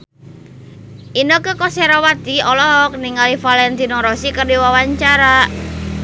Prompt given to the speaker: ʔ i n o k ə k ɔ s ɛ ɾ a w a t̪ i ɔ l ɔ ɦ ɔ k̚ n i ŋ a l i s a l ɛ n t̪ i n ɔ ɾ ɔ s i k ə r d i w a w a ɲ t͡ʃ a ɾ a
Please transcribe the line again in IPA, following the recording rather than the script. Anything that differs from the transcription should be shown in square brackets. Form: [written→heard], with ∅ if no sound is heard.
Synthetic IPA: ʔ i n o k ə k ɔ s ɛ ɾ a w a t̪ i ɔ l ɔ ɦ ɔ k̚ n i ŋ a l i [s→f] a l ɛ n t̪ i n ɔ ɾ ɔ s i k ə r d i w a w a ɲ t͡ʃ a ɾ a

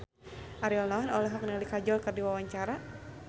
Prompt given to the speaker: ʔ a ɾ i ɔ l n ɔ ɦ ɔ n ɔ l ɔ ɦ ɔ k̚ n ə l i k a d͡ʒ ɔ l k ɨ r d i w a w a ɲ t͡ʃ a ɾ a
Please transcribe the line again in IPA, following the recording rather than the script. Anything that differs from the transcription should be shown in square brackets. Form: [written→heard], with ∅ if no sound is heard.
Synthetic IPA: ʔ a ɾ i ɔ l n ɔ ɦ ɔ n ɔ l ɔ ɦ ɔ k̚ n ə l i k a d͡ʒ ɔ l k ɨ r d i w a w a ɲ t͡ʃ a ɾ a

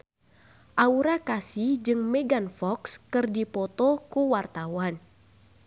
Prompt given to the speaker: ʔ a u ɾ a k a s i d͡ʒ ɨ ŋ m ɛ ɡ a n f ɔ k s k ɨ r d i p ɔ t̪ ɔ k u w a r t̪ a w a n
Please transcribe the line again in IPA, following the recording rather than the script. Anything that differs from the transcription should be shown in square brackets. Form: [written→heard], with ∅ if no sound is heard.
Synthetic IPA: ʔ a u ɾ a k a s i d͡ʒ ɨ ŋ m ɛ ɡ a n f ɔ k s k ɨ r d i p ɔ t̪ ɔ k u w a r t̪ a w a n

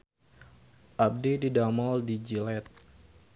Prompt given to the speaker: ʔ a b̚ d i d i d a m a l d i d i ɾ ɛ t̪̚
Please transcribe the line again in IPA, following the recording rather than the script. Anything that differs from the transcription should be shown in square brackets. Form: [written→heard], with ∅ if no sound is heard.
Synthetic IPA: ʔ a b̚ d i d i d a m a l d i [d→d͡ʒ] i [ɾ→l] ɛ t̪̚

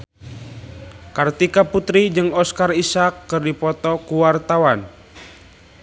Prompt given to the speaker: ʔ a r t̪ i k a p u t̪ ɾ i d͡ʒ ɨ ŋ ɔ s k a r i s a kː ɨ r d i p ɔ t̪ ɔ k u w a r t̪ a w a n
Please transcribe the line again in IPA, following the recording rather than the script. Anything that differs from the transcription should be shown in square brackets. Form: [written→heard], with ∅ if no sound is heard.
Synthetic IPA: [ʔ→k] a r t̪ i k a p u t̪ ɾ i d͡ʒ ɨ ŋ ɔ s k a r i s a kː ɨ r d i p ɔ t̪ ɔ k u w a r t̪ a w a n

